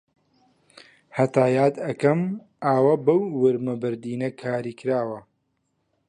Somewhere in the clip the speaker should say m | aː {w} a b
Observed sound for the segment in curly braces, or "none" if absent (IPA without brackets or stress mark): w